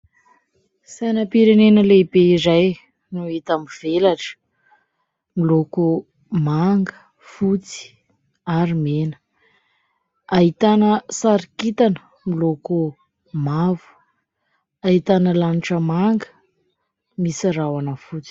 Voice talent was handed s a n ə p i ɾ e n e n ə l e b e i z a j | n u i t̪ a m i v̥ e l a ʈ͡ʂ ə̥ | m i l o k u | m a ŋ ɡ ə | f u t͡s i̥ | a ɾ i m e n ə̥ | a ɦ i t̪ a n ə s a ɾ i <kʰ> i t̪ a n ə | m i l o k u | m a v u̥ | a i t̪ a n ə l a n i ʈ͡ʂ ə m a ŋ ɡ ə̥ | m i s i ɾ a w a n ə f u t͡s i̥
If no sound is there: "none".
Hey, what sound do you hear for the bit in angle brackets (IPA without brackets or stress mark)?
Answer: k